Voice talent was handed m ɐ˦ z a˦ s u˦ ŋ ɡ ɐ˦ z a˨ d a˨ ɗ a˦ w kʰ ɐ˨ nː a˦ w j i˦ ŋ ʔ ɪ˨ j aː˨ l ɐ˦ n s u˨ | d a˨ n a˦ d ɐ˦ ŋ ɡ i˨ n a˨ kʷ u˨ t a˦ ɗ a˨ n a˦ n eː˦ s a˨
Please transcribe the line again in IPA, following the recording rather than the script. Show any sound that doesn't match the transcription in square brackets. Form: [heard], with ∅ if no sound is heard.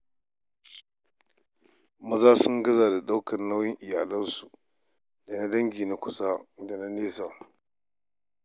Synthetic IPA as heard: m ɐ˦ z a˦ s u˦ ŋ ɡ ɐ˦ z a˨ d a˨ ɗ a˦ w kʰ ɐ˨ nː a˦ w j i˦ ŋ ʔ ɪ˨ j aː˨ l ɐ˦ n s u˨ | d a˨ n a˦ d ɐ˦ ŋ ɡ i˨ n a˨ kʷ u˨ [s] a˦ [d] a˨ n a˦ n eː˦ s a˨